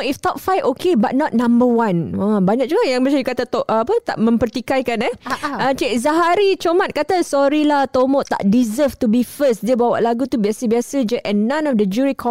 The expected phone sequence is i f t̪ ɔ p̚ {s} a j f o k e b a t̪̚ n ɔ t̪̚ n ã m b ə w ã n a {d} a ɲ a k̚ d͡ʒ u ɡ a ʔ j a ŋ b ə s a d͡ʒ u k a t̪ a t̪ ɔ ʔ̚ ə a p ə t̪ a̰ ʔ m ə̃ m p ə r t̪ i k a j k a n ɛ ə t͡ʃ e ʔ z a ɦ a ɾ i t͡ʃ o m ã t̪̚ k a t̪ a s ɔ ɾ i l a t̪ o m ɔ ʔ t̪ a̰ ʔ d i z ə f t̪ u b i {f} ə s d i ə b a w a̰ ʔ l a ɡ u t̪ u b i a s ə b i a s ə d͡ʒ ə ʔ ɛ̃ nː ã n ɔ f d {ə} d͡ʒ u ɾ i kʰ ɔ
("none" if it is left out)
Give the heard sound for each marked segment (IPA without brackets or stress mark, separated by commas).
f, b, f, ə